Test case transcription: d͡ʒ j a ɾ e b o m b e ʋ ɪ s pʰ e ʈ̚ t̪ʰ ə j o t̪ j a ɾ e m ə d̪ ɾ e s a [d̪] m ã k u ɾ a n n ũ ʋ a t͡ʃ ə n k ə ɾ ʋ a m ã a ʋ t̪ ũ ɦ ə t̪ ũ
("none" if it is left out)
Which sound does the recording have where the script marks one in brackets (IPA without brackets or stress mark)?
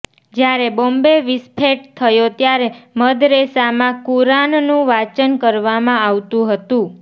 none